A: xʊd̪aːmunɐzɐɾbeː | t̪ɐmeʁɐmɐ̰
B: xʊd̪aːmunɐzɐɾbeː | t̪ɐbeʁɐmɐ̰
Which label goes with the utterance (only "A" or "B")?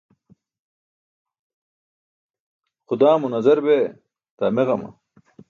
A